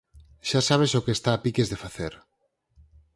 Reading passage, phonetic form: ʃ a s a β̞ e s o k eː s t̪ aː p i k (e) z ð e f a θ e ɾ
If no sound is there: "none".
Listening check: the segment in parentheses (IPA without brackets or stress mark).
e